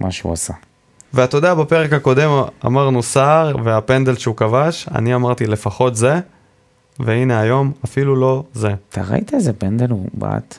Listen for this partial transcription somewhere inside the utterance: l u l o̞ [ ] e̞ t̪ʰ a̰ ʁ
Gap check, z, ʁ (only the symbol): z